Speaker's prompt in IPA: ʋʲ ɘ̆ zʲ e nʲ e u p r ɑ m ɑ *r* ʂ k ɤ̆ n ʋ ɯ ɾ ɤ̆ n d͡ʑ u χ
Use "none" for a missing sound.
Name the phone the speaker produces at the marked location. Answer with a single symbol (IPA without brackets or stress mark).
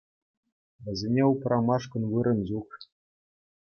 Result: none